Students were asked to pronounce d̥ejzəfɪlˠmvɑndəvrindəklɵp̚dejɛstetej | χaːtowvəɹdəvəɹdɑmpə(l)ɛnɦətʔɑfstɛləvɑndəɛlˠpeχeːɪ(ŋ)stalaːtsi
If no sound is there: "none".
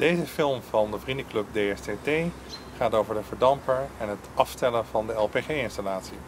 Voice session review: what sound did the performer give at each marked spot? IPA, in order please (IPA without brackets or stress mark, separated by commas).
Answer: ɹ, n